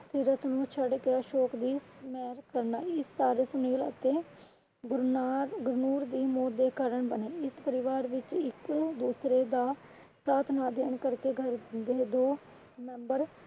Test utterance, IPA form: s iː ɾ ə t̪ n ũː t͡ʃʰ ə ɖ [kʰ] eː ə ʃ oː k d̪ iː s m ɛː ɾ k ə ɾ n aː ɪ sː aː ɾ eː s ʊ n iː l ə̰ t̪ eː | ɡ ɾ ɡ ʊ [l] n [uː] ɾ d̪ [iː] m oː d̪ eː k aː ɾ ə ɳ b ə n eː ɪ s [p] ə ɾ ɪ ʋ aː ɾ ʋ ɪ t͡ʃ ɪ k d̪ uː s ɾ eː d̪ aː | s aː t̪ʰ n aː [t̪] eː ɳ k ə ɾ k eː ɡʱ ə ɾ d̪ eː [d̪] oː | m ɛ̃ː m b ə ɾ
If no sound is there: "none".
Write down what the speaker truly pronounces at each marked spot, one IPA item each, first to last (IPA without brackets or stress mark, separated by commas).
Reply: k, ɾ, uː, iː, p, d̪, d̪